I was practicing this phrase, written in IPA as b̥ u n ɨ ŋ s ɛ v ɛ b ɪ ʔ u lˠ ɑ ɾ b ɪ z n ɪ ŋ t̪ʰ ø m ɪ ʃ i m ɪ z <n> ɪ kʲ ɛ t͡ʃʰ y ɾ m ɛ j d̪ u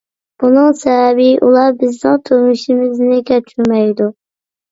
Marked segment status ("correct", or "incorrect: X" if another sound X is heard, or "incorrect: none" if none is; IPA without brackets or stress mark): correct